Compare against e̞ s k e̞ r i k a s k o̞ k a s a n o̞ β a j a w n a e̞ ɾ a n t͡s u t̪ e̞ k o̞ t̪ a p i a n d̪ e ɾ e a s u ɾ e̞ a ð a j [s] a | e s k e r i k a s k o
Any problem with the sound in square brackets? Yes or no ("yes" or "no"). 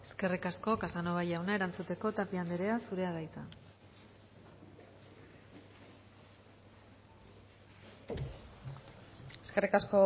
yes